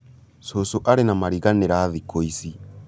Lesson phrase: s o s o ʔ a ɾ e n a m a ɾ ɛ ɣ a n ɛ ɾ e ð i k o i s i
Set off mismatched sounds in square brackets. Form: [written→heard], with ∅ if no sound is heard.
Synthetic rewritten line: s o s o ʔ a ɾ e n a m a ɾ [ɛ→i] ɣ a n [ɛ→e] ɾ [e→a] ð i k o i s i

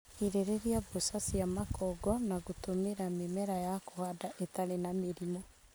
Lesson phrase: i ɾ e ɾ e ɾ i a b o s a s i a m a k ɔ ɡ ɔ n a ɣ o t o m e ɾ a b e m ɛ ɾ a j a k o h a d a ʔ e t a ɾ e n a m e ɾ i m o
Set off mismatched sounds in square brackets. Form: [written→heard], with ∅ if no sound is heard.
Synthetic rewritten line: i ɾ e ɾ e ɾ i a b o s a s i a m a k ɔ ɡ ɔ n a ɣ o t o m e ɾ a [b→m] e m ɛ ɾ a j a k o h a d a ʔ e t a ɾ e n a m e ɾ i m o

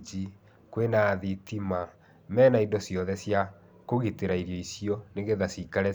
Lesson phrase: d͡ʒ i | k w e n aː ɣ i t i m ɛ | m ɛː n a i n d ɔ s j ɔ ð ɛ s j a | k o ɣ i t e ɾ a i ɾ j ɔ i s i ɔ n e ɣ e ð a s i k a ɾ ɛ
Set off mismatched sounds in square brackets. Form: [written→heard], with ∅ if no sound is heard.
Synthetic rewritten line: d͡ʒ i | k w e n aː [ɣ→ð] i t i m [ɛ→a] | m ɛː n a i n d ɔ s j ɔ ð ɛ s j a | k o ɣ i t e ɾ a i ɾ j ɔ i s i ɔ n e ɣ e ð a s i k a ɾ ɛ

